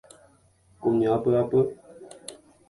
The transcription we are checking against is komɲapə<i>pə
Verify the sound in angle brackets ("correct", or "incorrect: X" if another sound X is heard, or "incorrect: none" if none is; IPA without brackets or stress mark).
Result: incorrect: a